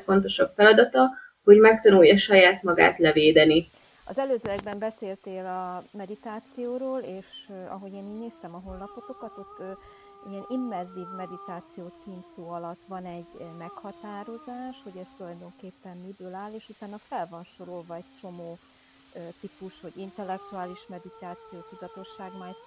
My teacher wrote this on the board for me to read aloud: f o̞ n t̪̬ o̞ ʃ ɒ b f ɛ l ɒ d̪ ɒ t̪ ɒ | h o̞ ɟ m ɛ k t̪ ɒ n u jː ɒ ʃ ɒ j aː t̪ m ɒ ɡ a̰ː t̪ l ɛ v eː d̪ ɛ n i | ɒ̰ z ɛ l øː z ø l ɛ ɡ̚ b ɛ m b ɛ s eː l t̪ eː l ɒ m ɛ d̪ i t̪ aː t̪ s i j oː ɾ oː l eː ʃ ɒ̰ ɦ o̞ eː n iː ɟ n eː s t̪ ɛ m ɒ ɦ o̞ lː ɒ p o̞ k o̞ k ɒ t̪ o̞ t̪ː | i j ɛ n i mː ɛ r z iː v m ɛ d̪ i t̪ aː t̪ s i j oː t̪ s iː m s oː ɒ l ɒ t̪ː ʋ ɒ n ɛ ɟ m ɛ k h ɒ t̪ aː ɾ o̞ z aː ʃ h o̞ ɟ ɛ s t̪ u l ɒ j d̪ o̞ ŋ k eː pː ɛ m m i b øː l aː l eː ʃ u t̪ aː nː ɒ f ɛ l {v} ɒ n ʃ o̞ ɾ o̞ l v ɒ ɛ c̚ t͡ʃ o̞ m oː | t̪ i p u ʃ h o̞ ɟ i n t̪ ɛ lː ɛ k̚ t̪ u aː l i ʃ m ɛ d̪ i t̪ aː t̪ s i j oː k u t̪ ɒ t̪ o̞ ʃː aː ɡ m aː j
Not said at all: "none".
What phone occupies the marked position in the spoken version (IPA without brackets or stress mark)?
v